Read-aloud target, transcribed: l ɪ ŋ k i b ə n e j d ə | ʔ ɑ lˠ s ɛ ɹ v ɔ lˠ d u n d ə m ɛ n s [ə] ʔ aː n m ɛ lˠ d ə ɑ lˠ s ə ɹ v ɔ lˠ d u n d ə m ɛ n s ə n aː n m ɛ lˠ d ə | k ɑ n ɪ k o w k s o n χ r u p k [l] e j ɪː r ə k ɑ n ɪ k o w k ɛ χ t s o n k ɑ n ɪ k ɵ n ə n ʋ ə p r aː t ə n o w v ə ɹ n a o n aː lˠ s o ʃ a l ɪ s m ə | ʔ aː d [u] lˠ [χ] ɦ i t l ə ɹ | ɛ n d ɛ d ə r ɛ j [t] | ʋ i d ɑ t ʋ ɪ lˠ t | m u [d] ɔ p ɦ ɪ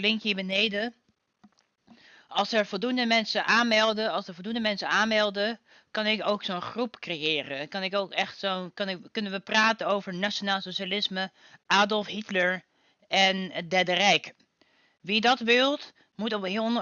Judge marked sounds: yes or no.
yes, no, no, no, no, no

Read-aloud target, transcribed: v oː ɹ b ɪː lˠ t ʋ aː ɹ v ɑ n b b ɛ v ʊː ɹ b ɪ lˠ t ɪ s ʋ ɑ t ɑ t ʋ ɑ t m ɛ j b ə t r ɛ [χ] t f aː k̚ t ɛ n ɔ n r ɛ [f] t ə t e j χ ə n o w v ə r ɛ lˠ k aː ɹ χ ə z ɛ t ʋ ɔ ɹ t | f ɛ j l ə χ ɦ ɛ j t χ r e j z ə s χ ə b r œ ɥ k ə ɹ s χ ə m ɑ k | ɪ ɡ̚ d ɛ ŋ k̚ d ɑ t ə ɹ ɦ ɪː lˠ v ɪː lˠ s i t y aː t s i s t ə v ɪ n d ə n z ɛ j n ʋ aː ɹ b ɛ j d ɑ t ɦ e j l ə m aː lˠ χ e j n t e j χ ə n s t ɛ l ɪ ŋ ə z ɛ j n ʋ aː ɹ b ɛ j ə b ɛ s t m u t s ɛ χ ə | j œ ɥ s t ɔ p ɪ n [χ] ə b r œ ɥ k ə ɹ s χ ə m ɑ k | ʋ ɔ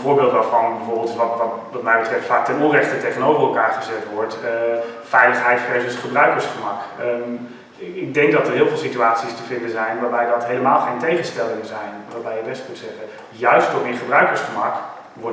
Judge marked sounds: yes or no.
no, no, yes

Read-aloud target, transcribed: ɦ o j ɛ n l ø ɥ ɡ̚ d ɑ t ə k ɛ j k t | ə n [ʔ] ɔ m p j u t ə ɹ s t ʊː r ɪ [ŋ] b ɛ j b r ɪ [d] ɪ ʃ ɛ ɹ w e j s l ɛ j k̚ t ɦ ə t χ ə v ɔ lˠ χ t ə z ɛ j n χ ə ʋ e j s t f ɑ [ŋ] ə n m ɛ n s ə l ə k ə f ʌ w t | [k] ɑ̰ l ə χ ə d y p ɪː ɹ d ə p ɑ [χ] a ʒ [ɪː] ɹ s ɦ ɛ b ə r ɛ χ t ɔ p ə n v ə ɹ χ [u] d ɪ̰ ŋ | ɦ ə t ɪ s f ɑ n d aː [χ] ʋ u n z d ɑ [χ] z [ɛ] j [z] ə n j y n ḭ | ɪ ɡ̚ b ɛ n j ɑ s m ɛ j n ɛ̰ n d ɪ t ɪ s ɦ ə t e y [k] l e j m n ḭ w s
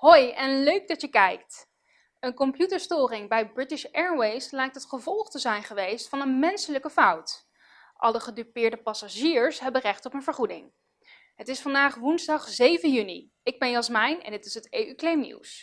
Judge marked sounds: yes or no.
no, yes, no, no, no, no, no, yes, yes, yes, no, no, yes

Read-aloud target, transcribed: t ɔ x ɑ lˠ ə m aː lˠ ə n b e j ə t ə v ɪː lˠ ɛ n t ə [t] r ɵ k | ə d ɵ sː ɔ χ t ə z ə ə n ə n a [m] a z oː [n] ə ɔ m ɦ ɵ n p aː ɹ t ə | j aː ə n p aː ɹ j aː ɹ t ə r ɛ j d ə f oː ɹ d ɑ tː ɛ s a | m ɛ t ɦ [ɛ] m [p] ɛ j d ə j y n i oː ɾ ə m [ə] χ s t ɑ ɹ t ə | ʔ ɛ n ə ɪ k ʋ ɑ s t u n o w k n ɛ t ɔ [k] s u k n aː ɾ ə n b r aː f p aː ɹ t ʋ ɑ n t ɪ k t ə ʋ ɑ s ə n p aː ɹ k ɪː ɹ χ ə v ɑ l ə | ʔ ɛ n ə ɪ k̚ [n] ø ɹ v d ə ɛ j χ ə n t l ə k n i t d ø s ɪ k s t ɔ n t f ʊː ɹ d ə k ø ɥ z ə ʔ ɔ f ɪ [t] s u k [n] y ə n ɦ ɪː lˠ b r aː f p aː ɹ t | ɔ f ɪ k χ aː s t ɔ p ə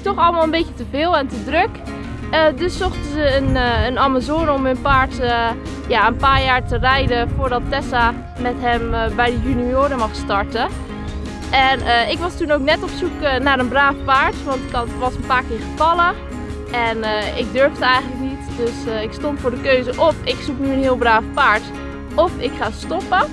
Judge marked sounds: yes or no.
no, yes, yes, yes, no, no, no, no, no, yes

